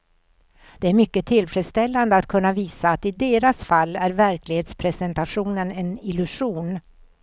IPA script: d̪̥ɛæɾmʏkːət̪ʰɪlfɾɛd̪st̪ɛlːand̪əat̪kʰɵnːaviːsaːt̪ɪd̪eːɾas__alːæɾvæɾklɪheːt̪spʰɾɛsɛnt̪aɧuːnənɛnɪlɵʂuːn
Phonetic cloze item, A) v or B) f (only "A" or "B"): B